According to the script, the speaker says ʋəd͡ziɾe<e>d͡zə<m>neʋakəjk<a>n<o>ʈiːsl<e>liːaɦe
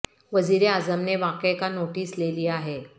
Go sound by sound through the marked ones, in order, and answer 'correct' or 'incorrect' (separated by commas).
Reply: incorrect, correct, correct, correct, correct